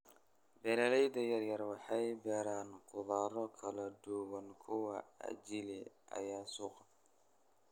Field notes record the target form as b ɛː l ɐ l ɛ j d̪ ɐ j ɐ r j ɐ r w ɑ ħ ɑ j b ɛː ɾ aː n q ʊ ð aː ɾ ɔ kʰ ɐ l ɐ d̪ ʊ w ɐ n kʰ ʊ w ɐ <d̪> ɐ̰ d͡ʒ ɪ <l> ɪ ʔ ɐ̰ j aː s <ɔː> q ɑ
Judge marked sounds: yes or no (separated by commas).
no, yes, no